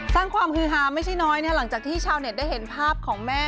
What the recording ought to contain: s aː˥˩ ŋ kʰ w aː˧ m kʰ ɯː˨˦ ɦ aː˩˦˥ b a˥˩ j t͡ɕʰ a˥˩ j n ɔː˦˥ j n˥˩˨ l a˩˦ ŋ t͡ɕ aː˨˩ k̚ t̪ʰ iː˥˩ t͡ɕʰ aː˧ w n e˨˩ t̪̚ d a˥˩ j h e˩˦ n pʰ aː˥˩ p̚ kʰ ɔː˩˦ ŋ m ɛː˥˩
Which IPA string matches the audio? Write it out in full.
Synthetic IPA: s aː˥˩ ŋ kʰ w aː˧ m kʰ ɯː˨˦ ɦ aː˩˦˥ m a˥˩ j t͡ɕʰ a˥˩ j n ɔː˦˥ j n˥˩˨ l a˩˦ ŋ t͡ɕ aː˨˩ k̚ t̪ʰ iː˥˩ t͡ɕʰ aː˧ w n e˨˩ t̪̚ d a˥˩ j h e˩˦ n pʰ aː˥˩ p̚ kʰ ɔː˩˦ ŋ m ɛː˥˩